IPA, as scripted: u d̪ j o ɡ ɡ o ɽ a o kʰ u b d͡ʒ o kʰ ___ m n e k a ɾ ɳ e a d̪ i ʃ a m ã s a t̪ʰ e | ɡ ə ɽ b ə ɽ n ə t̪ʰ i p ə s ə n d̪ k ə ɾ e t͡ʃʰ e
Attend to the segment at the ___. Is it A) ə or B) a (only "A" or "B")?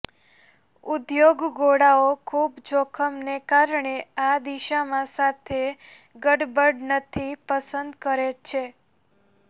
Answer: A